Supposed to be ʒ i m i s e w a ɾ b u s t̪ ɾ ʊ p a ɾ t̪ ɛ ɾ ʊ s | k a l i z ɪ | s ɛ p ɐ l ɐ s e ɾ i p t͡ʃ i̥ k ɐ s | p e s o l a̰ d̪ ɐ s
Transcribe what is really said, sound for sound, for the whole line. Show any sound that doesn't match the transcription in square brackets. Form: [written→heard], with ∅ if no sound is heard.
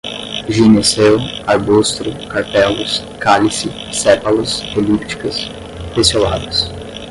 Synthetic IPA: ʒ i [m→n] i s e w a ɾ b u s t̪ ɾ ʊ [p→k] a ɾ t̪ ɛ [ɾ→l] ʊ s | k a l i [z→s] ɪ | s ɛ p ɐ l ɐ s e [ɾ→l] i p t͡ʃ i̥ k ɐ s | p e s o l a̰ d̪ ɐ s